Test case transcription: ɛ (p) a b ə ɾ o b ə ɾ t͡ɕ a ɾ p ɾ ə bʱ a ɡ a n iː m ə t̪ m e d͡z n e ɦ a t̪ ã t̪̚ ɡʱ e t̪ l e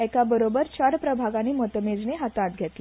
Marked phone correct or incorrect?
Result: incorrect